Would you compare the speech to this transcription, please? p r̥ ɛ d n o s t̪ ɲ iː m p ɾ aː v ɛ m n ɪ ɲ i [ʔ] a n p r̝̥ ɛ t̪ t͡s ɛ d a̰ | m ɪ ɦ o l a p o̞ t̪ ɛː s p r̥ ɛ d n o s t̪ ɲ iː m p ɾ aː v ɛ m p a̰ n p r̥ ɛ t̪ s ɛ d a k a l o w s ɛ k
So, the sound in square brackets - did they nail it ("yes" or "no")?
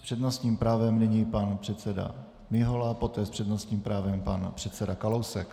no